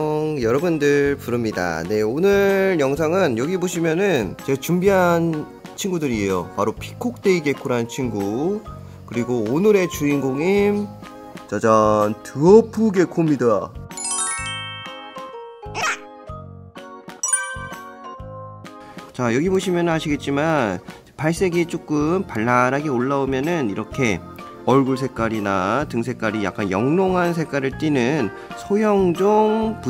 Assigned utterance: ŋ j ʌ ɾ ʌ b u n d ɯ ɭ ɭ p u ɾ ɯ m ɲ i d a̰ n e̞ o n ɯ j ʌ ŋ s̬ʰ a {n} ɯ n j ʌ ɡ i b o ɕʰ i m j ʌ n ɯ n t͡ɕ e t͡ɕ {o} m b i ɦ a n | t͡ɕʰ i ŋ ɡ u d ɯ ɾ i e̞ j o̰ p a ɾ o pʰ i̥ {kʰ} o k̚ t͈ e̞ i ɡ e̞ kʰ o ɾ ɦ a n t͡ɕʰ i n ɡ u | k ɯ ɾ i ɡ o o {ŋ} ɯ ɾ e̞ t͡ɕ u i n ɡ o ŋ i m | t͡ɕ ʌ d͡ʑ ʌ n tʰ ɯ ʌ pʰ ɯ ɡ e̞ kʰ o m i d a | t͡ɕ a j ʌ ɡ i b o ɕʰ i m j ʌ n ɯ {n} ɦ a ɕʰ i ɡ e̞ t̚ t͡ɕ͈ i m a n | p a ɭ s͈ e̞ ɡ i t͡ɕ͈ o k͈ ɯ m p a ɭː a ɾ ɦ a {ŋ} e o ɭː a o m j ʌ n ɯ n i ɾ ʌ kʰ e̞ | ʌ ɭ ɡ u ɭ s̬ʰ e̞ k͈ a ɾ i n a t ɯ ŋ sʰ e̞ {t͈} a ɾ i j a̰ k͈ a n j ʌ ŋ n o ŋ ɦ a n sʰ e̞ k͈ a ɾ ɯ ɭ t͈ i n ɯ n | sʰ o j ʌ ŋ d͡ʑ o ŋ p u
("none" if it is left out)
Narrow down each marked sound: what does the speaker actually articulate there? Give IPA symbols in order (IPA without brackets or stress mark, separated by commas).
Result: ŋ, u, kʰ, n, n, ɡ, k͈